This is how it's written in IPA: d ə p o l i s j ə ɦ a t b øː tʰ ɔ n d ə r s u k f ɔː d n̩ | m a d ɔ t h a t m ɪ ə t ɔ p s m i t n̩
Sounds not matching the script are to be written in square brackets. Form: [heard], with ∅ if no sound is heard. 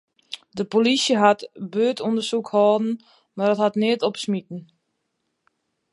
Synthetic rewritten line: d ə p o l i s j ə ɦ a t b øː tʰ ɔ n d ə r s u k [h] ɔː d n̩ | m a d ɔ t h a t [n] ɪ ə t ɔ p s m i t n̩